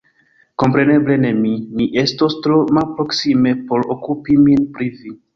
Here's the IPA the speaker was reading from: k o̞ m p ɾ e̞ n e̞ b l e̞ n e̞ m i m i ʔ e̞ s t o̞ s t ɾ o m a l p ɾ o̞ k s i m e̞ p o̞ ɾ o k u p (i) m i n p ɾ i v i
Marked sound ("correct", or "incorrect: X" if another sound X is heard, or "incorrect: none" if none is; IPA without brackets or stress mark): correct